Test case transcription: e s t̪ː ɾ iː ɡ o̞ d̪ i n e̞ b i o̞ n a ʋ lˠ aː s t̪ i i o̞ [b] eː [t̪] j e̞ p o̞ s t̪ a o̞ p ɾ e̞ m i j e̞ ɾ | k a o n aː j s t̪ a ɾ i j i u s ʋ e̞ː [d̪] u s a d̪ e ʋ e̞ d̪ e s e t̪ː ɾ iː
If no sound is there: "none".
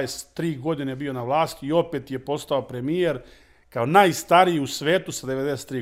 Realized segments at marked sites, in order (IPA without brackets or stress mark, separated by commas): p, t̪, t̪